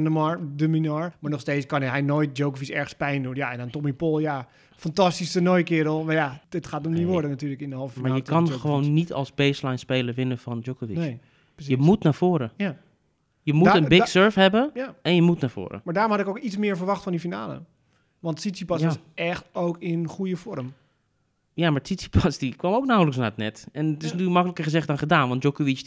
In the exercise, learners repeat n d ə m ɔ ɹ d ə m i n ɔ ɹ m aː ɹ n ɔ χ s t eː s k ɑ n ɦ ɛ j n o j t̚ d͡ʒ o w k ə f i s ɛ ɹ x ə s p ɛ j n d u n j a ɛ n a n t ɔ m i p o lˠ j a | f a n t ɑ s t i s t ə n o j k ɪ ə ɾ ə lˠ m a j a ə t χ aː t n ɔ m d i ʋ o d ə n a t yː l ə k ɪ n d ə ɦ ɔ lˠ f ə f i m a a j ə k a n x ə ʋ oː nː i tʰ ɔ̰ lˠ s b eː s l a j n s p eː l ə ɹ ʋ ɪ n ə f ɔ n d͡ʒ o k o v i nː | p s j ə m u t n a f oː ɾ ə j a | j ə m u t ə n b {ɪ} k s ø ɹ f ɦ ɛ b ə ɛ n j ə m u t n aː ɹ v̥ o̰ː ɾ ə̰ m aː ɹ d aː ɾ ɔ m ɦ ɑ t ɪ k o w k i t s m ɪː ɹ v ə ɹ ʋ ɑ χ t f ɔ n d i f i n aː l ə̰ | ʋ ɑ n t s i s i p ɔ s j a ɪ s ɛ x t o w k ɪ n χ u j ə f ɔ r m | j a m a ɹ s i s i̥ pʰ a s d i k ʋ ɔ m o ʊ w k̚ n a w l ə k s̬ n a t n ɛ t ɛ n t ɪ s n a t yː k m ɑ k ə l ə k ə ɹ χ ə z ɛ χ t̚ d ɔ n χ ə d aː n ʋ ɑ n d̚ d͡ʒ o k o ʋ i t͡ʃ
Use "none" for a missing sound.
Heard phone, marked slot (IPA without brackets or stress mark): ɪ